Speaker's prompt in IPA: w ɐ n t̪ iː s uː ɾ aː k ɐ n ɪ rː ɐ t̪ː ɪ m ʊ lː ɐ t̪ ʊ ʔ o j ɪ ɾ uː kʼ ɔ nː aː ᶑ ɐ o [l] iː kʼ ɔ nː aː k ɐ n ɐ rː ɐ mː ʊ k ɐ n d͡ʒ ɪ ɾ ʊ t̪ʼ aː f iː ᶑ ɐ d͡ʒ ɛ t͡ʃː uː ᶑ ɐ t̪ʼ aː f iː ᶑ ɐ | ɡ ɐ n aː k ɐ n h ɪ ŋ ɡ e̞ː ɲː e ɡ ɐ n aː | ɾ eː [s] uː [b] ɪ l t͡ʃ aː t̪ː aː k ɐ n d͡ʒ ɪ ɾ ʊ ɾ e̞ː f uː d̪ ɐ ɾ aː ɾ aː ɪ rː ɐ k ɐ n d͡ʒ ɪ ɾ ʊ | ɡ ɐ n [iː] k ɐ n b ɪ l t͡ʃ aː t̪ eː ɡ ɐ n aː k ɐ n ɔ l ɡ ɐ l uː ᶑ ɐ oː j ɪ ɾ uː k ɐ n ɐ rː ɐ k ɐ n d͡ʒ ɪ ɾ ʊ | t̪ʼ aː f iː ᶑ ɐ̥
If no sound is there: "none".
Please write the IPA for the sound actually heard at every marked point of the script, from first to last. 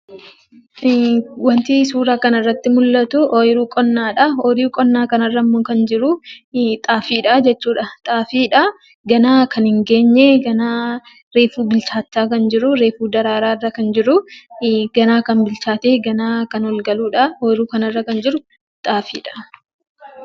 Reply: ɾ, f, b, aː

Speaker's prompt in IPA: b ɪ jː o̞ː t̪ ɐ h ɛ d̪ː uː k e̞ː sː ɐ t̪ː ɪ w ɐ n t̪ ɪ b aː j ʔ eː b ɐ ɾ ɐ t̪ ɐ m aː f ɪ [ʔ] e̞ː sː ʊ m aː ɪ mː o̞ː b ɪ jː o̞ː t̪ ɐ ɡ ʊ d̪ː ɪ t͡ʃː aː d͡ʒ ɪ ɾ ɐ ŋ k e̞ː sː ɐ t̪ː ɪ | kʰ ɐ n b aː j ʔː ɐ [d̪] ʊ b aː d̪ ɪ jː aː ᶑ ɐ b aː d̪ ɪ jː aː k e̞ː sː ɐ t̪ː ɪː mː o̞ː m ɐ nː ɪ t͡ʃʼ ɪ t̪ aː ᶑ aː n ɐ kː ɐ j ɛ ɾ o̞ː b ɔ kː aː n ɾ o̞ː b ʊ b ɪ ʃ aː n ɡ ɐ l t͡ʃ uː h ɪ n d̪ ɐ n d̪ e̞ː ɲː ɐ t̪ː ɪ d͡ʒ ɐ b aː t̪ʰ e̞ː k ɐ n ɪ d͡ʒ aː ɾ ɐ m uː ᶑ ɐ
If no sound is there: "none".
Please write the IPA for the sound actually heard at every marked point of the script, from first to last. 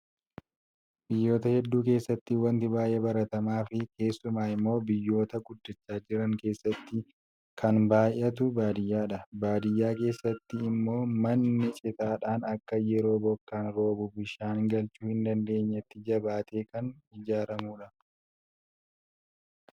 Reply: k, t̪

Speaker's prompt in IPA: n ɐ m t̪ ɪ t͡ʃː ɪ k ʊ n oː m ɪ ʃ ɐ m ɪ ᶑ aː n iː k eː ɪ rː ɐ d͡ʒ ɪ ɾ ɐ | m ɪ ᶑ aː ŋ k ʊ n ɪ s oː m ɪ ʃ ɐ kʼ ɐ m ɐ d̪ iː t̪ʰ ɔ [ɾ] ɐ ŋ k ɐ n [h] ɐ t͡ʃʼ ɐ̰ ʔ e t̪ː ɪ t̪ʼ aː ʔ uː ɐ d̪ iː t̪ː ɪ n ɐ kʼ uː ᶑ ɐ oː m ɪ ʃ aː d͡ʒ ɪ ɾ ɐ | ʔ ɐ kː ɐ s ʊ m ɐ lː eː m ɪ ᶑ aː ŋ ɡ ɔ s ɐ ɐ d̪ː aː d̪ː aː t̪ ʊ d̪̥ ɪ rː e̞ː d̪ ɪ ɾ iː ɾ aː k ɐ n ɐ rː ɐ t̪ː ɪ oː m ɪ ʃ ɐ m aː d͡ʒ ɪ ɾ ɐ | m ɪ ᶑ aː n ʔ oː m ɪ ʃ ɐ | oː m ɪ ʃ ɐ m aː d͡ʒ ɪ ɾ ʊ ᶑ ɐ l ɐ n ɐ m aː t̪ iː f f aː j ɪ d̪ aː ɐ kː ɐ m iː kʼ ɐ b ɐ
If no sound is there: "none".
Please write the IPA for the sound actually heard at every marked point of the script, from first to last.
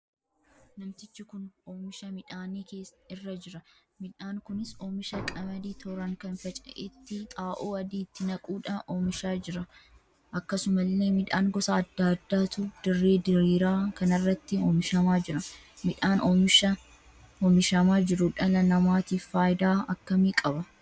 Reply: ɾ, f

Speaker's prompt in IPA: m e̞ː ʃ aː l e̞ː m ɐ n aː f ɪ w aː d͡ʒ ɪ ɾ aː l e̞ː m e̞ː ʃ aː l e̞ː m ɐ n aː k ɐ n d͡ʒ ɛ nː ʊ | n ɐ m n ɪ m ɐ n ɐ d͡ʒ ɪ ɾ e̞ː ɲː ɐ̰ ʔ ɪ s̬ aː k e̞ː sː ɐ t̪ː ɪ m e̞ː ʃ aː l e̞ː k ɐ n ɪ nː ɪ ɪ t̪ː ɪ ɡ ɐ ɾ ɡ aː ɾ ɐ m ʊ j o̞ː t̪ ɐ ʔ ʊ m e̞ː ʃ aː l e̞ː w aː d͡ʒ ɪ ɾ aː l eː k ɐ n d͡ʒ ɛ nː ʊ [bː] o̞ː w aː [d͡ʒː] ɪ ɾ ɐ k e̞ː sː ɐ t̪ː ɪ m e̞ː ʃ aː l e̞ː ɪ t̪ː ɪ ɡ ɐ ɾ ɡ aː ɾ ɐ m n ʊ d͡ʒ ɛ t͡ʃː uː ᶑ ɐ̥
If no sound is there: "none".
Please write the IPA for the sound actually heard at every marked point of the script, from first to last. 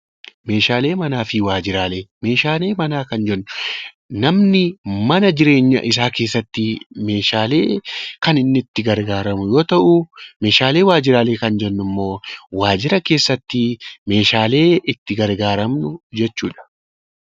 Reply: mː, d͡ʒ

